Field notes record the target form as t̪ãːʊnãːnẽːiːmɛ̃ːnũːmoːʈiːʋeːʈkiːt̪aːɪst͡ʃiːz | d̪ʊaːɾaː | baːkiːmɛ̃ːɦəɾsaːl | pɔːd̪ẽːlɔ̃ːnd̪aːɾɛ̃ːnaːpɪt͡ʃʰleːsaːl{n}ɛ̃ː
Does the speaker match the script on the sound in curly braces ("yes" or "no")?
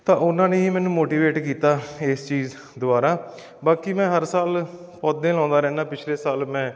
no